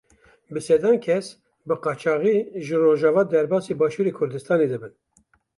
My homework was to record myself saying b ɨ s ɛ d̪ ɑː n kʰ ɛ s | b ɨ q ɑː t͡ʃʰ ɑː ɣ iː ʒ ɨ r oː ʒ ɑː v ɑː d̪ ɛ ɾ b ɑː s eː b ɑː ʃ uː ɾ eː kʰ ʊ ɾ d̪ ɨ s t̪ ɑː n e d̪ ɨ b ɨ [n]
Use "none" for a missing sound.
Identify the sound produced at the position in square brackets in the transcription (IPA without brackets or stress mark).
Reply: n